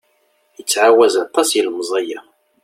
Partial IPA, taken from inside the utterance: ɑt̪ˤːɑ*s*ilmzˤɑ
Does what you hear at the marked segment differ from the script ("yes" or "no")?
no